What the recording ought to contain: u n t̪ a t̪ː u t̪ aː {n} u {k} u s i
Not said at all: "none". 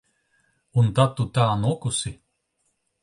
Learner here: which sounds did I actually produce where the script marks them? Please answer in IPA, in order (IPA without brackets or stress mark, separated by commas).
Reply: n, k